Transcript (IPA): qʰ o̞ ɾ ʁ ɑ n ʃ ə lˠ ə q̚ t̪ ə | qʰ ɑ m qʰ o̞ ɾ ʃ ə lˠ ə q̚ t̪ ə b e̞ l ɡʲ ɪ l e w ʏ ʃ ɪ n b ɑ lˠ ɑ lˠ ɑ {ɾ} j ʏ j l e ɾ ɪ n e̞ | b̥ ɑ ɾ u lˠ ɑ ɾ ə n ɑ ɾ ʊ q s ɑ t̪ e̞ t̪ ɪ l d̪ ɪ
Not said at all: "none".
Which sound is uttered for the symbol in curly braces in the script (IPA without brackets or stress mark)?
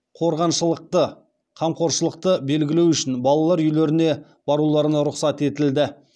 ɾ